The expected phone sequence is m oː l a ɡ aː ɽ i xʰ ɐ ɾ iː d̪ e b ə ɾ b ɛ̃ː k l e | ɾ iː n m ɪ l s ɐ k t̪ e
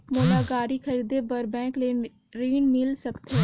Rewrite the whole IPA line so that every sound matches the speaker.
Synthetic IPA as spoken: m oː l a ɡ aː ɾ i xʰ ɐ ɾ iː d̪ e b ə ɾ b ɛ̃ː k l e | ɾ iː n m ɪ l s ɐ k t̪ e